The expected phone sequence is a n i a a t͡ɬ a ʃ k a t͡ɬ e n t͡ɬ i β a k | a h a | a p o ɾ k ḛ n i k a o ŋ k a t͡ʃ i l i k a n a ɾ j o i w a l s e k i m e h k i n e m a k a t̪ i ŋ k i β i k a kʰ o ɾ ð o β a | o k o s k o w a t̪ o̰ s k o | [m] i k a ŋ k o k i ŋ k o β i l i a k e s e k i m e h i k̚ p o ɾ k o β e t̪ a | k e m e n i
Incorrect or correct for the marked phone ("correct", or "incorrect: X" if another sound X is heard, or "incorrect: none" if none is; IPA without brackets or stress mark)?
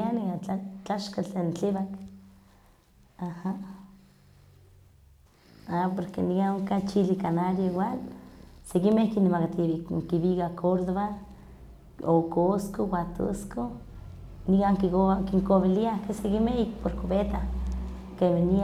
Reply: incorrect: n